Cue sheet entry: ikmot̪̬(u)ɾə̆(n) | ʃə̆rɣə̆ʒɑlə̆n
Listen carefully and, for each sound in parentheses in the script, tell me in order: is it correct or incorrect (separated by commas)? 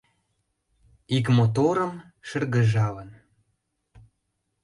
incorrect, incorrect